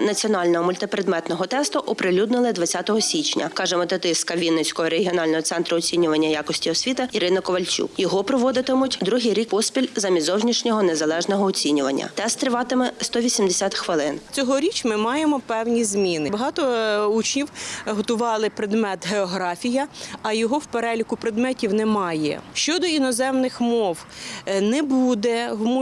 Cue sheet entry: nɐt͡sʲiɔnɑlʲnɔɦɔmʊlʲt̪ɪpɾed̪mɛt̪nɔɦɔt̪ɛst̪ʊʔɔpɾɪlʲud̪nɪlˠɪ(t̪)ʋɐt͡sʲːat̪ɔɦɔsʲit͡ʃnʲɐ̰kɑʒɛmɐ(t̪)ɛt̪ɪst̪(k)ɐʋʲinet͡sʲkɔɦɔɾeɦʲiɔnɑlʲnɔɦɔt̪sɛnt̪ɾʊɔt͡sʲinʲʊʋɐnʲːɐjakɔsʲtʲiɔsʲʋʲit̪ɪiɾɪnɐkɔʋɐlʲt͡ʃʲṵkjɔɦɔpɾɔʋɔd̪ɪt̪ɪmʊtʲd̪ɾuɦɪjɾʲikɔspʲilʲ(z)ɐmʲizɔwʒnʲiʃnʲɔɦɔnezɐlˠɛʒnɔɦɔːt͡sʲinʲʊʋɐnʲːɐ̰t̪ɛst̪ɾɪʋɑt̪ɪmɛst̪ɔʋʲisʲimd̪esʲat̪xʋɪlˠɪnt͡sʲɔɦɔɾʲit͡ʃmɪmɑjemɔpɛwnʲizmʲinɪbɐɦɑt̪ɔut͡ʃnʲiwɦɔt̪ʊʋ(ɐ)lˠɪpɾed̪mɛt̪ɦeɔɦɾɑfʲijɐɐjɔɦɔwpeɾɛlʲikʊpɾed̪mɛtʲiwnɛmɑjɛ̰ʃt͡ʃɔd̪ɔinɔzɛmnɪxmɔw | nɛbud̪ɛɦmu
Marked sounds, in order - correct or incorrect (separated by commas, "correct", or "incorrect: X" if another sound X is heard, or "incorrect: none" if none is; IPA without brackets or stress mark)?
incorrect: d̪, correct, correct, correct, incorrect: ɑ